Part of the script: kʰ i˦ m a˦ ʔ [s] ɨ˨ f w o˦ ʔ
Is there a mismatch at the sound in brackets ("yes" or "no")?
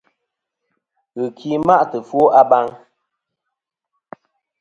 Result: yes